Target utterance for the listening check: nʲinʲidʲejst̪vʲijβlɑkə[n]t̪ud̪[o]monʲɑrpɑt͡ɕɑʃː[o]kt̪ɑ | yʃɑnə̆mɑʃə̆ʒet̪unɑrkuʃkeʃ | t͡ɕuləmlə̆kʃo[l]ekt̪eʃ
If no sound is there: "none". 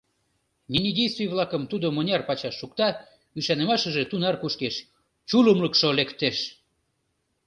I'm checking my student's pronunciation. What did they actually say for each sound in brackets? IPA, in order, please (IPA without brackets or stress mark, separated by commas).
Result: m, o, u, l